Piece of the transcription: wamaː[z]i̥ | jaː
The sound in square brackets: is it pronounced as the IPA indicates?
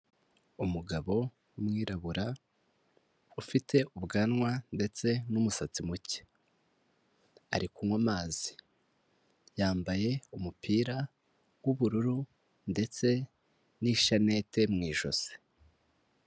yes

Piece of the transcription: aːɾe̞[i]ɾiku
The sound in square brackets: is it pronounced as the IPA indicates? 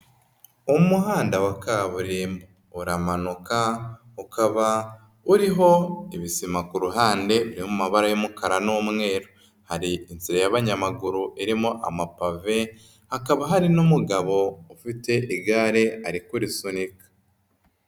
no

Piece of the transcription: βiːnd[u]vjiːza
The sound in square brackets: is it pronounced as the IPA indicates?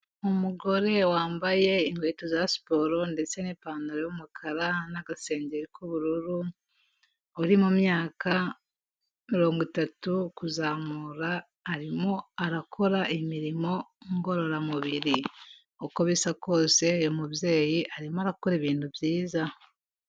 yes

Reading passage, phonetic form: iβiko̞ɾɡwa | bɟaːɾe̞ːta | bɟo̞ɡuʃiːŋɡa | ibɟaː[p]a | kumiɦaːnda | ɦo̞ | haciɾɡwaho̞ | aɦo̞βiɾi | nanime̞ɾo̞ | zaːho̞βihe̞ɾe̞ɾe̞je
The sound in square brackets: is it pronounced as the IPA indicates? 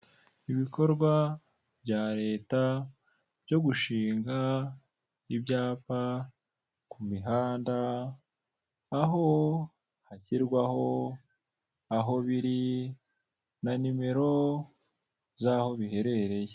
yes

